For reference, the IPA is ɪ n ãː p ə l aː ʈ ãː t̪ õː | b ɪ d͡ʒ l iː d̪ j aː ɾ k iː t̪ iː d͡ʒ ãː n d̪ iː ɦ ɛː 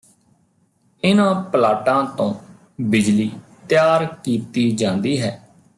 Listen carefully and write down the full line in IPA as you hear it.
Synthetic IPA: ɪ n ãː p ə l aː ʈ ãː t̪ õː | b ɪ d͡ʒ l iː t̪ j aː ɾ k iː t̪ iː d͡ʒ ãː n d̪ iː ɦ ɛː